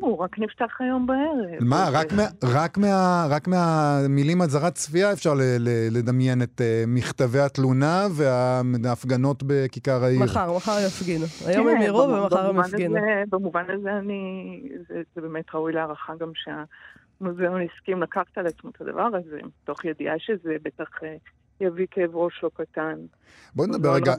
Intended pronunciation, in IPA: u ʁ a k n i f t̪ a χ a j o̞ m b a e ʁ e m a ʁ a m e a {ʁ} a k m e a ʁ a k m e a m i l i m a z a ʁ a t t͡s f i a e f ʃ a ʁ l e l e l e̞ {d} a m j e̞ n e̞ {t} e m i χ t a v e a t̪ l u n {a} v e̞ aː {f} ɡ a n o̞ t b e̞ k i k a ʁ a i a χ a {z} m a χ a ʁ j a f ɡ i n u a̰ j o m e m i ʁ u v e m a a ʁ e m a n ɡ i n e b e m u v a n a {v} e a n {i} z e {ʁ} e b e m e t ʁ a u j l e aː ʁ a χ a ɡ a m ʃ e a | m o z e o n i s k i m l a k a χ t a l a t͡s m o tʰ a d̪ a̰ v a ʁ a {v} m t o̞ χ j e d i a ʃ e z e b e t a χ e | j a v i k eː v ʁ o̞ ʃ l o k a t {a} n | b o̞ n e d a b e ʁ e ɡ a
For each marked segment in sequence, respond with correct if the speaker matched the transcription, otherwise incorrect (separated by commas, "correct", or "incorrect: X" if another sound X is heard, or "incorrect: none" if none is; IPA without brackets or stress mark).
correct, correct, correct, correct, correct, incorrect: ʁ, incorrect: z, correct, incorrect: z, incorrect: z, correct